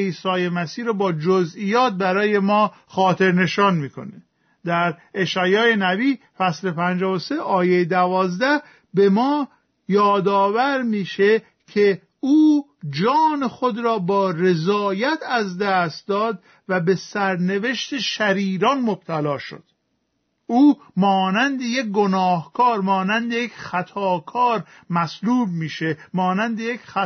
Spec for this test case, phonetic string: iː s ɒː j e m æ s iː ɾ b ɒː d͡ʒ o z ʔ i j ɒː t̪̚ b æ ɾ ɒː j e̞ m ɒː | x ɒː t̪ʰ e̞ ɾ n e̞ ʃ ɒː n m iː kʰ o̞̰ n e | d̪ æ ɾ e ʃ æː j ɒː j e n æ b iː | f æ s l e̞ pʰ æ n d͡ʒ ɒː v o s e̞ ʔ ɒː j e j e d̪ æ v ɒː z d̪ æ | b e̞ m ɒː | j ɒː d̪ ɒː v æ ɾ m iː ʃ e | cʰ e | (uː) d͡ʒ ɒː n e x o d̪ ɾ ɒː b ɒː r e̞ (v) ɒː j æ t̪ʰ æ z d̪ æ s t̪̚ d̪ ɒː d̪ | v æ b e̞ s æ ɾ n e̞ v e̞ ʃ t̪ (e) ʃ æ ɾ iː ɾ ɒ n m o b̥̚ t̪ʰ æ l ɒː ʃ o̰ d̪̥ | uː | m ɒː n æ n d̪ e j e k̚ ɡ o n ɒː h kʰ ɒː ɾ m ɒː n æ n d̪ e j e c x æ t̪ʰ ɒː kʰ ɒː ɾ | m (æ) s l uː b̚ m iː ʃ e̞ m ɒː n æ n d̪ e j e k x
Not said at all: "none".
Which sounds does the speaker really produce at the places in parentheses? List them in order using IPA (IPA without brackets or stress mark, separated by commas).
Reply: uː, z, e, æ